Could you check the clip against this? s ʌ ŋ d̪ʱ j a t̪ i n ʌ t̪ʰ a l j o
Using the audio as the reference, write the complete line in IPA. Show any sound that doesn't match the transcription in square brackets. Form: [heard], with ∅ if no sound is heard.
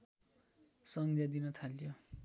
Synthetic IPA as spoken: s ʌ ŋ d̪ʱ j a [d̪] i n ʌ t̪ʰ a l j o